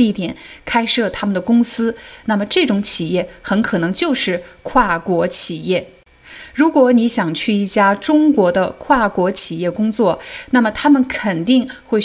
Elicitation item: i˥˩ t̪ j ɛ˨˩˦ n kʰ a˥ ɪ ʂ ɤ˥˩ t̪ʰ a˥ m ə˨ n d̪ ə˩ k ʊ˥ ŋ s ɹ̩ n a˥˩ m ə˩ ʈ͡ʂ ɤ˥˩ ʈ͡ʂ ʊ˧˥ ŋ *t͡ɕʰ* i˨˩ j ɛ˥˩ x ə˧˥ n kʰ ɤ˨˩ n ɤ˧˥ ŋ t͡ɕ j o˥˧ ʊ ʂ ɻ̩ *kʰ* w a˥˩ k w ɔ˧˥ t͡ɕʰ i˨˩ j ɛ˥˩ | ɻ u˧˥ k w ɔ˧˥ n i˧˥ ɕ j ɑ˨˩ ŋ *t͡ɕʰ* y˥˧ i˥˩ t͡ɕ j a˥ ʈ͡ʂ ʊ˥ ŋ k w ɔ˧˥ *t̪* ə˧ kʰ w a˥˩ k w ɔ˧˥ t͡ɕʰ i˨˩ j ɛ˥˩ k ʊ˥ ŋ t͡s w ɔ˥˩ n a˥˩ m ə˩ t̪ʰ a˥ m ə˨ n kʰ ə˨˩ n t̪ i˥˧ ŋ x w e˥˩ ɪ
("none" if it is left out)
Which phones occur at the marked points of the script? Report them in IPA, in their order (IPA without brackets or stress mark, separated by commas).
t͡ɕʰ, kʰ, t͡ɕʰ, d̪